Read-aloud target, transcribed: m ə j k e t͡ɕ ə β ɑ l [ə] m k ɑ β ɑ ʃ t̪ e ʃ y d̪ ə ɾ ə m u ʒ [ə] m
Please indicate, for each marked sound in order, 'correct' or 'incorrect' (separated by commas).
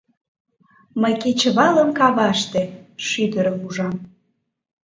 correct, incorrect